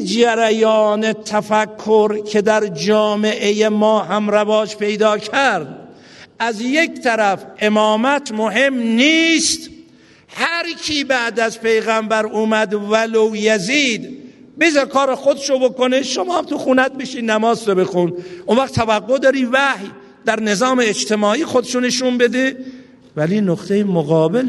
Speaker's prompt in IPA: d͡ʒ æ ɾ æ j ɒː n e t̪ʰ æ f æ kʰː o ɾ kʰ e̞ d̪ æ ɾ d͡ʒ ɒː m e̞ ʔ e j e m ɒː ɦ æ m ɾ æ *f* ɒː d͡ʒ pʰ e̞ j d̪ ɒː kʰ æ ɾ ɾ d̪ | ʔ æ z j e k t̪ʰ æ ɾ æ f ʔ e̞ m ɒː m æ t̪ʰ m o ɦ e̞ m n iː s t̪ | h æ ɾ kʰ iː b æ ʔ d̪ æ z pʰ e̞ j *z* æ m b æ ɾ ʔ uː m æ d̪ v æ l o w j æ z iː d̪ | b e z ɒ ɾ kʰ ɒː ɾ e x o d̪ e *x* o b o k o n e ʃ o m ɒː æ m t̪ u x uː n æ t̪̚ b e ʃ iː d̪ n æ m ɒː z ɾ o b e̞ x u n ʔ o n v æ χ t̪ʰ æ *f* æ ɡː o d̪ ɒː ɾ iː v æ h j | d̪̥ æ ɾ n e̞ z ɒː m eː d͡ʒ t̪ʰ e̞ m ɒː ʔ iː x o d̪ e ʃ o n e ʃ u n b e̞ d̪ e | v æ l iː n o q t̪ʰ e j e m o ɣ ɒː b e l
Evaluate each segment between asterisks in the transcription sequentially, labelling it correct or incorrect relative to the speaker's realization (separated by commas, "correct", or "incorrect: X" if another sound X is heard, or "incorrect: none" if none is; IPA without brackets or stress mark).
incorrect: v, incorrect: ɣ, incorrect: ʃ, incorrect: v